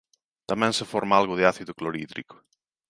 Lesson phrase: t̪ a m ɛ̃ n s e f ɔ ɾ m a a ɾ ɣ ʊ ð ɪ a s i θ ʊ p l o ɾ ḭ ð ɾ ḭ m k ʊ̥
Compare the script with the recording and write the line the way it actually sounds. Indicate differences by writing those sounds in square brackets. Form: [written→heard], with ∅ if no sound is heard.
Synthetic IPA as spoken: t̪ a m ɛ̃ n s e f ɔ ɾ m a a [ɾ→l] ɣ ʊ ð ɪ a [s→θ] i [θ→ð] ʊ [p→k] l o ɾ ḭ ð ɾ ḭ [m→∅] k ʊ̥